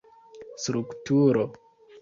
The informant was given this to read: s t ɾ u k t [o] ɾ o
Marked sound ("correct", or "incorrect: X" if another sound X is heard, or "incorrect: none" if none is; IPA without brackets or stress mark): incorrect: u